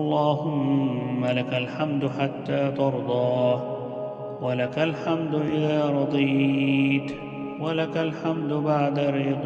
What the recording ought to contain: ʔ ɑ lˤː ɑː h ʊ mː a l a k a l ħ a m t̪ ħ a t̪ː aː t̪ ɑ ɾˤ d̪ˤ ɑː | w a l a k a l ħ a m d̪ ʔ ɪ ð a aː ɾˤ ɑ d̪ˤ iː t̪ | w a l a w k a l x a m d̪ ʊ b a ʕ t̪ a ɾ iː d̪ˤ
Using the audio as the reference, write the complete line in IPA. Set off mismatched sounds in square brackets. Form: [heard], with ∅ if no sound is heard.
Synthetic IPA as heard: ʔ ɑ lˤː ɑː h ʊ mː a l a k a l ħ a m [d̪] ħ a t̪ː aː t̪ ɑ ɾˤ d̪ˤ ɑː | w a l a k a l ħ a m d̪ ʔ ɪ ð a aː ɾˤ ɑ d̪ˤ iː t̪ | w a l a [∅] k a l [ħ] a m d̪ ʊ b a ʕ [d̪] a ɾ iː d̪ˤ